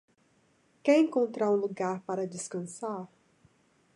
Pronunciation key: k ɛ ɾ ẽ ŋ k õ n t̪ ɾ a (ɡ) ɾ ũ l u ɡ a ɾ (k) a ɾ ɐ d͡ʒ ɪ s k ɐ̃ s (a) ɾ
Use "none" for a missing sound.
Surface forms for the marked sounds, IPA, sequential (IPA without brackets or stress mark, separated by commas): none, p, a